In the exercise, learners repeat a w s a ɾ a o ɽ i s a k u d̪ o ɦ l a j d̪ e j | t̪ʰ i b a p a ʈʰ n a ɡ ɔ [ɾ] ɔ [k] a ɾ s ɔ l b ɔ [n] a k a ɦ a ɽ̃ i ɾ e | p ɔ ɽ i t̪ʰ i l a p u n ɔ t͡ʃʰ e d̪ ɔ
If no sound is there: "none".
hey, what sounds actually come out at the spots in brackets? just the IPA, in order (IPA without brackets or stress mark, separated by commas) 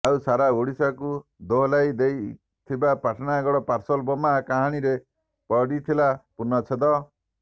ɽ, p, m